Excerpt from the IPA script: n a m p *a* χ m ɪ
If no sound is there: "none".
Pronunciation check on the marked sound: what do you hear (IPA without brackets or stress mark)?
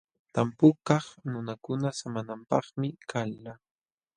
ɑ